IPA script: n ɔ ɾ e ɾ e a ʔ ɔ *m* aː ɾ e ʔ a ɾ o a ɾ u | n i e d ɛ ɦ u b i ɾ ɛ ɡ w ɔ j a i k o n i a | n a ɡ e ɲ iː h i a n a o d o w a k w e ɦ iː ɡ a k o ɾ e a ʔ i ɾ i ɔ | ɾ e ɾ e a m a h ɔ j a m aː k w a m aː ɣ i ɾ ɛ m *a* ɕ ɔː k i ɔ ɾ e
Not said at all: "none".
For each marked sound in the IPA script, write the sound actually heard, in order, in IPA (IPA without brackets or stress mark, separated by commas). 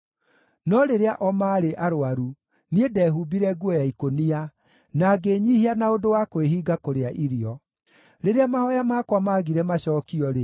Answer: m, a